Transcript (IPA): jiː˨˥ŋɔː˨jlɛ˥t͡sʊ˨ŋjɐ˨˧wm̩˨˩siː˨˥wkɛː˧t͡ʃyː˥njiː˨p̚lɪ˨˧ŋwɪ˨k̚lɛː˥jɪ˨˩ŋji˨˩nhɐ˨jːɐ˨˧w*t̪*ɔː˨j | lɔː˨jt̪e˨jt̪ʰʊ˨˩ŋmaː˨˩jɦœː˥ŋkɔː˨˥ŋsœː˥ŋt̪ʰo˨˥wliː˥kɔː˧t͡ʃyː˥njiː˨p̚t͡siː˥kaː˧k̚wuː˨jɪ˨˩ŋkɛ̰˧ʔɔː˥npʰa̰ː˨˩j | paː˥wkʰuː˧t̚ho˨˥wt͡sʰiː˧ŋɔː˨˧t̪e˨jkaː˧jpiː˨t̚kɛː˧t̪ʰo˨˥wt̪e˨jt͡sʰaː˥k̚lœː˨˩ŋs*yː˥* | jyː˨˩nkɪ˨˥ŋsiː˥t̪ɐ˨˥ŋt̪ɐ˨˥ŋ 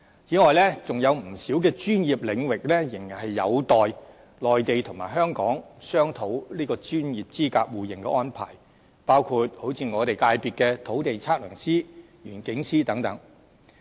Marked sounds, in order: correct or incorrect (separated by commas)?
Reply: correct, incorrect